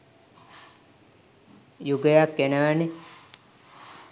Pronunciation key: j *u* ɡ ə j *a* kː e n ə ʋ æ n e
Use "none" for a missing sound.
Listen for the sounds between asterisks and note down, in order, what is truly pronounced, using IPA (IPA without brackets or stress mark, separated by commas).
u, a